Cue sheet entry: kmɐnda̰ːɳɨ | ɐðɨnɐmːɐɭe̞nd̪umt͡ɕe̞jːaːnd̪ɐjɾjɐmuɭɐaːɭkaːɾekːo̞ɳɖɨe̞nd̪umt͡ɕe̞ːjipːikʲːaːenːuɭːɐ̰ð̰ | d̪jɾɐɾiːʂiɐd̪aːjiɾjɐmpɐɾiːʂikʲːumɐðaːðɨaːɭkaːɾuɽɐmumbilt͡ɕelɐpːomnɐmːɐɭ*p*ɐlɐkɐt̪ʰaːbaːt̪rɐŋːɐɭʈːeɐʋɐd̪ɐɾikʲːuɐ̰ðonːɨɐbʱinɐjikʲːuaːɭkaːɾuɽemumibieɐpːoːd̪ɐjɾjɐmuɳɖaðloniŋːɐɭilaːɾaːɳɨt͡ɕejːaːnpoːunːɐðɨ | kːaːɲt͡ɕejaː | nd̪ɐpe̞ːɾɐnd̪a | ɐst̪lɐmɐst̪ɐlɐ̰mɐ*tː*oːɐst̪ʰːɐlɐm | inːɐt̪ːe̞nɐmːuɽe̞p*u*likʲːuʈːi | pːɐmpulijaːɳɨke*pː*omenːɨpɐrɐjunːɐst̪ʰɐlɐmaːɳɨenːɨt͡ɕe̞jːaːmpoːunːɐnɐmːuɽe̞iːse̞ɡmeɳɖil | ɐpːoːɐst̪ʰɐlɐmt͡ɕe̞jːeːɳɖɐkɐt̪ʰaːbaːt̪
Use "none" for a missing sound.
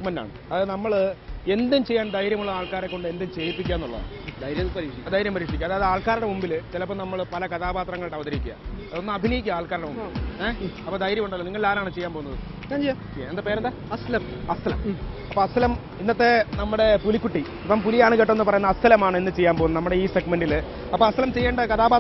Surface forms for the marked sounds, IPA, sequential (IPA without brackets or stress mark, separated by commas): p, pː, u, ʈː